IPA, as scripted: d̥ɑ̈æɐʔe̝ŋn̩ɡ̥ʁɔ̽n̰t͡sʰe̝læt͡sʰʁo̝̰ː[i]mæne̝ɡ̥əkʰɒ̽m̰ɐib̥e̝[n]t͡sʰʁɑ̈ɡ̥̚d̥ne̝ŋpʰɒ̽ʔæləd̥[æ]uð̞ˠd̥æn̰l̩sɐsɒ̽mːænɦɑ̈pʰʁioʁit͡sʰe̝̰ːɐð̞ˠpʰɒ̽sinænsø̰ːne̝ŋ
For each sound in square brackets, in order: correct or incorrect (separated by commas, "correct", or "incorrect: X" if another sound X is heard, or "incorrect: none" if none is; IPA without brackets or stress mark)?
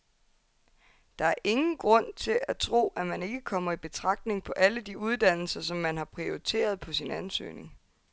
incorrect: æ, incorrect: none, incorrect: i